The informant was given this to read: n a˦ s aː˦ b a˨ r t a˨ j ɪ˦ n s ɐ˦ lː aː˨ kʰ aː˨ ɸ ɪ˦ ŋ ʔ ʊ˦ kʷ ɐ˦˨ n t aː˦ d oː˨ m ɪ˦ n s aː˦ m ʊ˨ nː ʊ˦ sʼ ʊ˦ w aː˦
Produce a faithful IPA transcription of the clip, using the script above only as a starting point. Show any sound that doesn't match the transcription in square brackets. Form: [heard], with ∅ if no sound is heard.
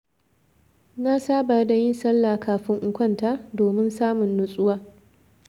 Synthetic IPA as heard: n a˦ s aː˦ b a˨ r [d] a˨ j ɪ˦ n s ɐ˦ lː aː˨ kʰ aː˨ ɸ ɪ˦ ŋ ʔ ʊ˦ kʷ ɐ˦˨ n t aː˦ d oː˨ m ɪ˦ n s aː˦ m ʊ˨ nː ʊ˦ sʼ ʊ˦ w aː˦